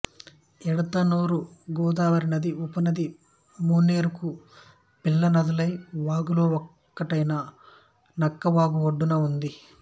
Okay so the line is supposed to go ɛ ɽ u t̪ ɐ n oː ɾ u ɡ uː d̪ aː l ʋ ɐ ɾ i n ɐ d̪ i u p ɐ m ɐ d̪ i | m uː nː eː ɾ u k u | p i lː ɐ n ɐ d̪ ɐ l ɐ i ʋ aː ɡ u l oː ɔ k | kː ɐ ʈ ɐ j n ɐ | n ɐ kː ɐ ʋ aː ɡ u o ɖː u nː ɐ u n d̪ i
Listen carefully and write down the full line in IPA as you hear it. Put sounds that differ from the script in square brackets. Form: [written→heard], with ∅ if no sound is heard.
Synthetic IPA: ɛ ɽ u t̪ ɐ n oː ɾ u ɡ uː d̪ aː [l→∅] ʋ ɐ ɾ i n ɐ d̪ i u p ɐ [m→n] ɐ d̪ i | m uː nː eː ɾ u k u | p i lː ɐ n ɐ d̪ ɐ l ɐ [i→j] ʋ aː ɡ u l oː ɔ k | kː ɐ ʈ ɐ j n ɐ | n ɐ kː ɐ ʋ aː ɡ u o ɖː u [nː→n] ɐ u n d̪ i